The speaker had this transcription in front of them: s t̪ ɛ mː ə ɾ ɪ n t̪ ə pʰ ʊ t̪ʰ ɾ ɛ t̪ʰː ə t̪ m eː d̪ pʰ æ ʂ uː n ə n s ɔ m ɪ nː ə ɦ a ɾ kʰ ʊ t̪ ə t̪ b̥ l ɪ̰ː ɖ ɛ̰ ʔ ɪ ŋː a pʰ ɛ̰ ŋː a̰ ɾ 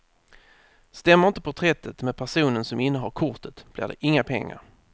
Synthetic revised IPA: s t̪ ɛ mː ə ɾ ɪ n t̪ ə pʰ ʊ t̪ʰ ɾ ɛ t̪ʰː ə t̪ m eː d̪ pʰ æ ʂ uː n ə n s ɔ m ɪ nː ə ɦ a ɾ kʰ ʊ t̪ ə t̪ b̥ l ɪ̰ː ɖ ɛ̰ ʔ ɪ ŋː a pʰ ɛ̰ ŋː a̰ ɾ